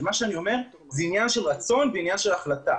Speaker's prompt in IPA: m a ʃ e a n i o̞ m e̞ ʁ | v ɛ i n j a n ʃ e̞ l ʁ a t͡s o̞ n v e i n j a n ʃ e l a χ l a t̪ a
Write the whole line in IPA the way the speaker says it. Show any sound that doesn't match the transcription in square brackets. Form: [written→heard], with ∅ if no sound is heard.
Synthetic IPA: m a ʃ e a n i o̞ m e̞ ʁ | [v→z] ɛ i n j a n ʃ e̞ l ʁ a t͡s o̞ n v e i n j a n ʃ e l a χ l a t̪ a